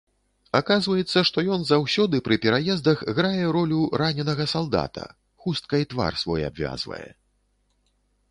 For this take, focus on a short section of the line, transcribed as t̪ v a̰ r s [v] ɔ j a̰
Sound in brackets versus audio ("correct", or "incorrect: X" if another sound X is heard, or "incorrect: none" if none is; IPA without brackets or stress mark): correct